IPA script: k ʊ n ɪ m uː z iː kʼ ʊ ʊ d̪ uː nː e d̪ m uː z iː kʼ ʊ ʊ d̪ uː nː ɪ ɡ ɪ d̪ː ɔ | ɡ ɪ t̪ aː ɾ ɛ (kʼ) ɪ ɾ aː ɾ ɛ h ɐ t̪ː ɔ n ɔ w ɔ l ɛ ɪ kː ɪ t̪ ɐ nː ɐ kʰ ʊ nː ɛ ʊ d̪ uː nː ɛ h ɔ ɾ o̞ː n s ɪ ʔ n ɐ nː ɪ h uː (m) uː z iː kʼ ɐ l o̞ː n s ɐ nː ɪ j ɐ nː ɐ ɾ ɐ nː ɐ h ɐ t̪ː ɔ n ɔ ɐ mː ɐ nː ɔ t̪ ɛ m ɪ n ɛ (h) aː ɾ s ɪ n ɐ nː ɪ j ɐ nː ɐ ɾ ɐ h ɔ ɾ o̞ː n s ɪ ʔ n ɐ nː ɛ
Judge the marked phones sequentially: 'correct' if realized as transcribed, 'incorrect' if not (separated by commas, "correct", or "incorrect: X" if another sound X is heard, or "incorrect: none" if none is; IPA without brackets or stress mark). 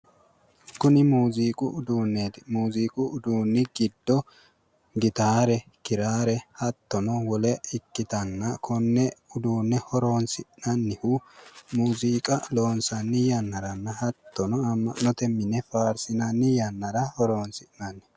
incorrect: k, correct, incorrect: f